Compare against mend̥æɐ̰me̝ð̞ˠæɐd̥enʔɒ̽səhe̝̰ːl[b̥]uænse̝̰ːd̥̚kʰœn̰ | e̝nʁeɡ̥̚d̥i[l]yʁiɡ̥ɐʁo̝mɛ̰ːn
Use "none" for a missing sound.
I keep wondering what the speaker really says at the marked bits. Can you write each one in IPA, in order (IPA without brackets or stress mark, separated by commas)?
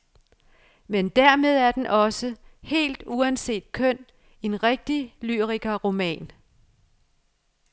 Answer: d̥, l